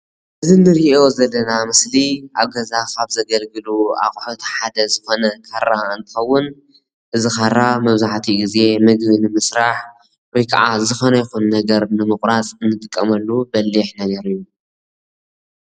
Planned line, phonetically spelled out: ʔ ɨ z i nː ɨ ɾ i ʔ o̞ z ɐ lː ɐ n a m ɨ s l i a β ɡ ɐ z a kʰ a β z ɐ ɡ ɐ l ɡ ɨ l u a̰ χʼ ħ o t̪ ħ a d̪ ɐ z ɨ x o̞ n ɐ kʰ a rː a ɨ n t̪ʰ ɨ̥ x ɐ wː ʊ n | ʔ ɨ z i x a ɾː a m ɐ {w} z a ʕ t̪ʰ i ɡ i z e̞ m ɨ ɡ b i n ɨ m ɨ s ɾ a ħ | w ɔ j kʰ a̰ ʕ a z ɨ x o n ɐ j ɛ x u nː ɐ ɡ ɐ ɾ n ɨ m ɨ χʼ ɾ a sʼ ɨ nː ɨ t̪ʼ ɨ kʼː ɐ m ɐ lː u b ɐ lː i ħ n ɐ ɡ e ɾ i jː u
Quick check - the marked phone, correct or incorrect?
incorrect